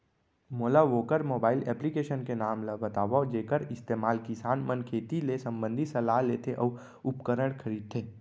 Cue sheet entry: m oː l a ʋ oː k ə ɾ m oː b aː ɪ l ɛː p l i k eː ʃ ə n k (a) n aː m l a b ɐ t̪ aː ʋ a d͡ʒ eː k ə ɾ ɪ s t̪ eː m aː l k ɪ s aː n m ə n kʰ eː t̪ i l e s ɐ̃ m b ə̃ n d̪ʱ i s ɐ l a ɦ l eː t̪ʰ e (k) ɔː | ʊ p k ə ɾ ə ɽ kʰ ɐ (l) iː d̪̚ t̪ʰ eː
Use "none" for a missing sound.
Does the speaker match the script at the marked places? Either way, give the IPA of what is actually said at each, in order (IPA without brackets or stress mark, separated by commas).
e, ʔ, ɾ